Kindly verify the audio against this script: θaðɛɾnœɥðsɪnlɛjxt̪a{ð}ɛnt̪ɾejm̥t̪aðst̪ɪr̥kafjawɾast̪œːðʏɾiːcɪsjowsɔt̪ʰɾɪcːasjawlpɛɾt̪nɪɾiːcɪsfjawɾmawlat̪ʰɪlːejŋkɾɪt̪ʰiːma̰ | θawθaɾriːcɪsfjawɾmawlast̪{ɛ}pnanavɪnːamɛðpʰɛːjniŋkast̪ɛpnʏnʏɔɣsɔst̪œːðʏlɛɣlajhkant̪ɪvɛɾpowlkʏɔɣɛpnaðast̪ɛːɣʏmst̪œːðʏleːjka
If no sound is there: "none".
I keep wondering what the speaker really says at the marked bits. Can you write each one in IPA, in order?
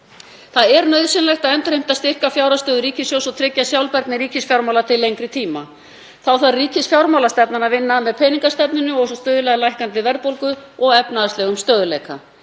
ð, ɛ

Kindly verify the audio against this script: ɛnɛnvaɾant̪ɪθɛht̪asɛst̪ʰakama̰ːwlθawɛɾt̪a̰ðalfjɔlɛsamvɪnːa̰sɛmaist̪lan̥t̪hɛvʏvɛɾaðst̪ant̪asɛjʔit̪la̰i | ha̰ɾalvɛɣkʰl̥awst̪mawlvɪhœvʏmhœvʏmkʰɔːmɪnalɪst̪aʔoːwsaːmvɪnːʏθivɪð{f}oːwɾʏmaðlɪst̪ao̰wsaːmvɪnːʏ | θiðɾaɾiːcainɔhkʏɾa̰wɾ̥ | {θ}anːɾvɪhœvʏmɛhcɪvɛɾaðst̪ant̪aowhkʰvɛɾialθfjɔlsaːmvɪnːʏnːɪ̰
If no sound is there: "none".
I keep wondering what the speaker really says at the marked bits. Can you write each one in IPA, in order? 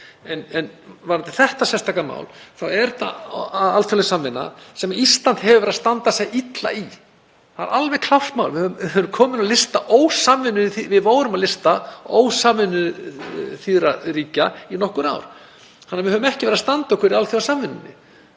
v, h

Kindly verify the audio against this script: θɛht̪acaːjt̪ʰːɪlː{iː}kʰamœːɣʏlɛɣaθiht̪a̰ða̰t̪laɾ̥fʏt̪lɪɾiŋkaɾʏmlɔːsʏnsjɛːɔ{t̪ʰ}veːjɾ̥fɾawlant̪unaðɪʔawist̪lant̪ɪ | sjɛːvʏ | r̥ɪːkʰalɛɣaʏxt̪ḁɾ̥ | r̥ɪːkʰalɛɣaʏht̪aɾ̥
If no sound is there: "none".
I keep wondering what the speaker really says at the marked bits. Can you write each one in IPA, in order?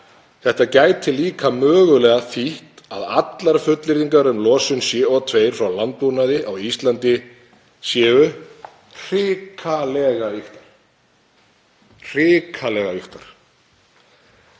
iː, t̪ʰ

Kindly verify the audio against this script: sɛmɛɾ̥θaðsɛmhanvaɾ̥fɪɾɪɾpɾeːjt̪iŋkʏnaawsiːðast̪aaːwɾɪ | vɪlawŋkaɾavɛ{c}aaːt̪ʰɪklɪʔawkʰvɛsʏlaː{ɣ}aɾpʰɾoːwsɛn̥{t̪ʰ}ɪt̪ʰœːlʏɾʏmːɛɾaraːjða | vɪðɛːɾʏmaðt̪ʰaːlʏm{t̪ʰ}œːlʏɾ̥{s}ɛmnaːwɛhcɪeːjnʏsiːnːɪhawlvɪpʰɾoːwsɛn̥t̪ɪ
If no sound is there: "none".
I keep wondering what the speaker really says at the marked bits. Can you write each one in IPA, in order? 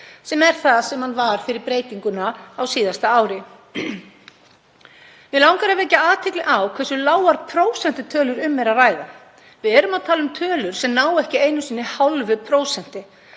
c, w, t̪, t̪ʰ, s

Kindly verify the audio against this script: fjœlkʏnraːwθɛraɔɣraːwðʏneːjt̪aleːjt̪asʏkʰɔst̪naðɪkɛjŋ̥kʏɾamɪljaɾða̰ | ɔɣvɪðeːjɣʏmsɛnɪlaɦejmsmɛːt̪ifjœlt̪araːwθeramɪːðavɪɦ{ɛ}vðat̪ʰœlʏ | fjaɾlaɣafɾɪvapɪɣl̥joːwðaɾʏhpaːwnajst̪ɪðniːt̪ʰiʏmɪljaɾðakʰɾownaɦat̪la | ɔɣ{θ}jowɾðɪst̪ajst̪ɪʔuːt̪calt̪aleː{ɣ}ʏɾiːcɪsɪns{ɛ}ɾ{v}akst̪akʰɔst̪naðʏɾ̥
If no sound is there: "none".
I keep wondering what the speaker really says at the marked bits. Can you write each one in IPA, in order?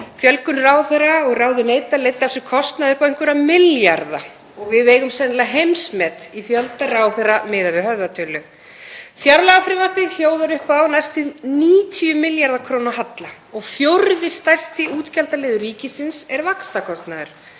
œ, f, ð, ɛ, v

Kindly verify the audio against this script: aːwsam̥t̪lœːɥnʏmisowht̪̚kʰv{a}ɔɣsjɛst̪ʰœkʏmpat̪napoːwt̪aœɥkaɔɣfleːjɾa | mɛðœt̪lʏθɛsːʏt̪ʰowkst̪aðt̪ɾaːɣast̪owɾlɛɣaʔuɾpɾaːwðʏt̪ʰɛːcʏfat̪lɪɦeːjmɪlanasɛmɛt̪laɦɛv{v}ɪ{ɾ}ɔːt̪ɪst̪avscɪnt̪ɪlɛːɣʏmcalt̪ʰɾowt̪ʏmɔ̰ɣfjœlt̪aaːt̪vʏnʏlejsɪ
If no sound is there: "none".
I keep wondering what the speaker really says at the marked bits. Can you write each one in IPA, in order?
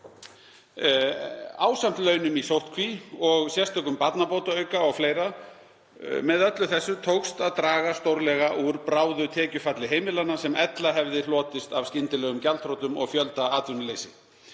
i, ð, l

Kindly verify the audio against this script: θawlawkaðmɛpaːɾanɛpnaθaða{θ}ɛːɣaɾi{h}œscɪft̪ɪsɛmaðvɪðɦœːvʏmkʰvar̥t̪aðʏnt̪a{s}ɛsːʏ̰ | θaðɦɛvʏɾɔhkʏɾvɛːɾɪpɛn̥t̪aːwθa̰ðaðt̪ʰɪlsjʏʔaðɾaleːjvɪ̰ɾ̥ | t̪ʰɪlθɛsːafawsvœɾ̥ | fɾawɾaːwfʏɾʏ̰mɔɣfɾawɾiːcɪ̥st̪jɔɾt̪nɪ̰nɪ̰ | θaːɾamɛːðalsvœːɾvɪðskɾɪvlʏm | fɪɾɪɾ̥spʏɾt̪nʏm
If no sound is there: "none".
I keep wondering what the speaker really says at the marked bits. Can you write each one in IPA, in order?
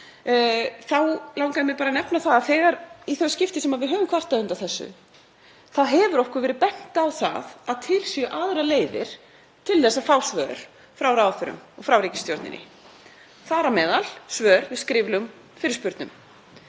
θ, θ, θ

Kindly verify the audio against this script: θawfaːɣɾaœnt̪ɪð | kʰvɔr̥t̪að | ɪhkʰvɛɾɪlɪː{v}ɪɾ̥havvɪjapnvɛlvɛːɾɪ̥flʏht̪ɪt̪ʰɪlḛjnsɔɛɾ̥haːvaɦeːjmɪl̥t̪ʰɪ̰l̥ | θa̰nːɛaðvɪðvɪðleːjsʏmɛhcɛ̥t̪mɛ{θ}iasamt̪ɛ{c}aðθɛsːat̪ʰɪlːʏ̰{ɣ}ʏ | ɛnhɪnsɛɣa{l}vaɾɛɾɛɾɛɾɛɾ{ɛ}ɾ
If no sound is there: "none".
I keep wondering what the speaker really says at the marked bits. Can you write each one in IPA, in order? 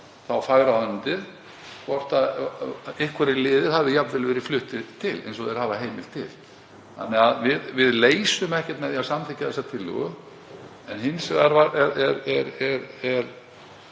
ð, ð, c, ɣ, ɾ, ɛ

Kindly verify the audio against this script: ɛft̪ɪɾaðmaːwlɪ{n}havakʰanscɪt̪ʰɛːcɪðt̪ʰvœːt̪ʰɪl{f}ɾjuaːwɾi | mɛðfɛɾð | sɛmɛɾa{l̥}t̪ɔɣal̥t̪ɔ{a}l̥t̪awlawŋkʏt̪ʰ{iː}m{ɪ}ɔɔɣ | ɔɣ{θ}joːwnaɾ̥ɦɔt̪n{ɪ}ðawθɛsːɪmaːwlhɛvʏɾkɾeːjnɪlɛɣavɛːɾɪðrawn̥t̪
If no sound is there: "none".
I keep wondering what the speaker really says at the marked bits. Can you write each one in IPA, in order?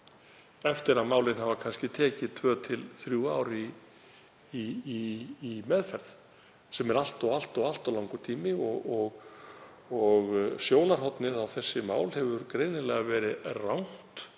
n, θ, l̥, a, iː, ɪ, s, ɪ

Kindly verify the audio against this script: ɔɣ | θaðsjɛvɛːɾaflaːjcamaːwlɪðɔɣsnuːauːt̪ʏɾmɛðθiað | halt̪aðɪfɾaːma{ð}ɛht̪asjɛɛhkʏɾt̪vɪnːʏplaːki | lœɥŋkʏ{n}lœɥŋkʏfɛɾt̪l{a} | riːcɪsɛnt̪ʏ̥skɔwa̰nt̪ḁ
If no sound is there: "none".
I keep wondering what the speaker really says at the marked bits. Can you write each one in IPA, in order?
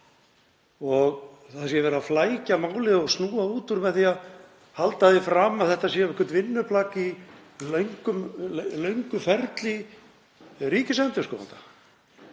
θ, m, i

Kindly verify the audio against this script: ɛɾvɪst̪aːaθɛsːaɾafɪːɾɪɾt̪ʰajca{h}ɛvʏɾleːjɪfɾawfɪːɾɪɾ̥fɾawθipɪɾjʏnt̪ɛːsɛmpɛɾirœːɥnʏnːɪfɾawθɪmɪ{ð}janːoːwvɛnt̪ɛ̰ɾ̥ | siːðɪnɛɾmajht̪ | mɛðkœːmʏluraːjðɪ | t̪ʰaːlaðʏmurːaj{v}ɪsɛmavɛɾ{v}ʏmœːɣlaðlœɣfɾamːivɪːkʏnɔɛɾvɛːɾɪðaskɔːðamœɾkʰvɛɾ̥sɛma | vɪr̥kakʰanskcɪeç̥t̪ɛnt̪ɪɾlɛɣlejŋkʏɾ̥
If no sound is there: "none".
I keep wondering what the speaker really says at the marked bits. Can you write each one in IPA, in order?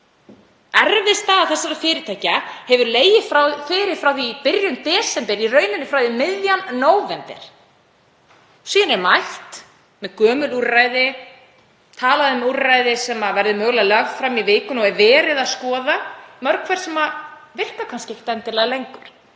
h, ð, ð, ð

